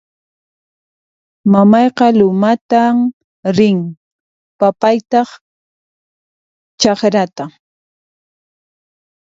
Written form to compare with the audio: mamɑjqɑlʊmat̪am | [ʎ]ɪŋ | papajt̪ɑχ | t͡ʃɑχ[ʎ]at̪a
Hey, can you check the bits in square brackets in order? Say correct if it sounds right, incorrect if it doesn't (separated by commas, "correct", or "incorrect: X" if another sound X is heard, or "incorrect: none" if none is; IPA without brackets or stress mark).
incorrect: ɾ, incorrect: ɾ